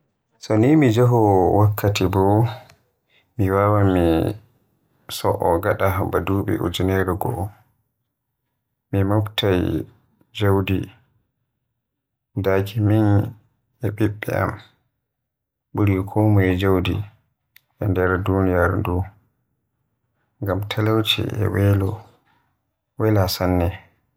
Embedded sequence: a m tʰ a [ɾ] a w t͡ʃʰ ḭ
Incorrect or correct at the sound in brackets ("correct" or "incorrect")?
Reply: incorrect